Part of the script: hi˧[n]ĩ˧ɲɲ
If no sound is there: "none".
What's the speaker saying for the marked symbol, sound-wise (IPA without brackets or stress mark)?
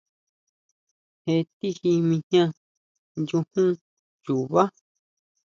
m